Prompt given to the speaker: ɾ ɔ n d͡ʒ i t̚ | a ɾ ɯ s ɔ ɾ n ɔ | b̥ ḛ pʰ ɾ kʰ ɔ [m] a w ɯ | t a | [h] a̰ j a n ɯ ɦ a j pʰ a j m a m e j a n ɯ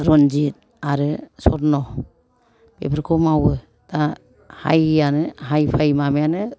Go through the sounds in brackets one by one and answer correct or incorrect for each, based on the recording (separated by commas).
correct, correct